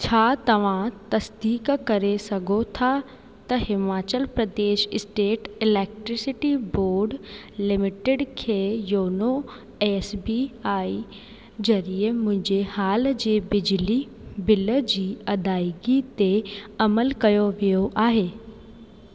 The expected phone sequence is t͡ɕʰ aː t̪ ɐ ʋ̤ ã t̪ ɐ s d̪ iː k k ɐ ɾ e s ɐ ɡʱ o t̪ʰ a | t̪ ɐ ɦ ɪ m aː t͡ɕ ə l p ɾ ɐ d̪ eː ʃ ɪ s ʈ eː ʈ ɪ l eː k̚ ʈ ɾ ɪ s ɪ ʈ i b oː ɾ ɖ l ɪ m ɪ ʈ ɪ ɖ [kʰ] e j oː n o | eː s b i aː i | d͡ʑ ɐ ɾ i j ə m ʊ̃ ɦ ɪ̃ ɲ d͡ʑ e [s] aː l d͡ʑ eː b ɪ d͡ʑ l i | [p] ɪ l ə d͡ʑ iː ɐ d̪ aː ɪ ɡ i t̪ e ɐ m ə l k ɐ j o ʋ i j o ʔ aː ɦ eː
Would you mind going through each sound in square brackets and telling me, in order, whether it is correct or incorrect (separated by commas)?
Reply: correct, incorrect, incorrect